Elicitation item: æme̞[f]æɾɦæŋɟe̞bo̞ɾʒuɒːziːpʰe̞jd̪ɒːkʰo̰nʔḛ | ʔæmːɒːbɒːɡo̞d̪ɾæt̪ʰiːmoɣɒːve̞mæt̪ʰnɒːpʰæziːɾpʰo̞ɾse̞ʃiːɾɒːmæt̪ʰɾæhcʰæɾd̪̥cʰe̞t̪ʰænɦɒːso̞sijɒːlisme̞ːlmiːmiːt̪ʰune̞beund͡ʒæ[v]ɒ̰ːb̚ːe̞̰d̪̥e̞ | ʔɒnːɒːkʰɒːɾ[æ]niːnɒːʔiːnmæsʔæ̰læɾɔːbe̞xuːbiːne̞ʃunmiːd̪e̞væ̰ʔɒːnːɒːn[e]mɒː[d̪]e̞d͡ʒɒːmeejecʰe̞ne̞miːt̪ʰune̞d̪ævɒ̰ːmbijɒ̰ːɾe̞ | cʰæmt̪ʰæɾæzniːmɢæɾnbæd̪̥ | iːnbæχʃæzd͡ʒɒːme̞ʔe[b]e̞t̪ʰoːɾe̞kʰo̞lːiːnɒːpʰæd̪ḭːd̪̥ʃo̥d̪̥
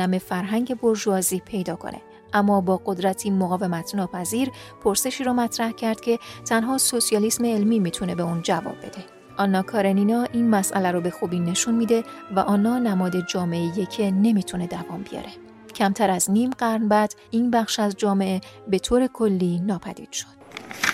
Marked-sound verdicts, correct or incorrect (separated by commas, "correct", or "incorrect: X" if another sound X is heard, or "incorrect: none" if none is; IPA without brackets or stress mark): correct, correct, incorrect: e, incorrect: æ, correct, correct